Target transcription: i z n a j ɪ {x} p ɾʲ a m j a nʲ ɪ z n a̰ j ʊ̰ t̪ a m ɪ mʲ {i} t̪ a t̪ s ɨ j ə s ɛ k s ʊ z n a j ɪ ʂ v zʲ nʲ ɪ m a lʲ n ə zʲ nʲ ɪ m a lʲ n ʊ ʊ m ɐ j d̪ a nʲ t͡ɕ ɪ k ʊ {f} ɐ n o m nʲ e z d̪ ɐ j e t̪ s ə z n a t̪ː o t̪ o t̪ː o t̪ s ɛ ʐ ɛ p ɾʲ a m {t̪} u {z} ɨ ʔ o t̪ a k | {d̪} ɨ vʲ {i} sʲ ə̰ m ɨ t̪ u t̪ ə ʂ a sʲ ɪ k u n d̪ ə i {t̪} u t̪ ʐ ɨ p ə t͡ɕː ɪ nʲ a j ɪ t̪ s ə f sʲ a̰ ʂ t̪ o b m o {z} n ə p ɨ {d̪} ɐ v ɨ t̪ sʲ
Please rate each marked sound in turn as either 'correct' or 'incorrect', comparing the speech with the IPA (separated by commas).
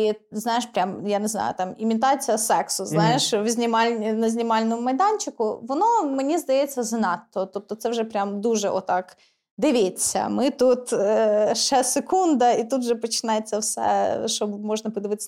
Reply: incorrect, incorrect, incorrect, incorrect, incorrect, correct, incorrect, correct, incorrect, correct